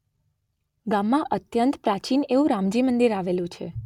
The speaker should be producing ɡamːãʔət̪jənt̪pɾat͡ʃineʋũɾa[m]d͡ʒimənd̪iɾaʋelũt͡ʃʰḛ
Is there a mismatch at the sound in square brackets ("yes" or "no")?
no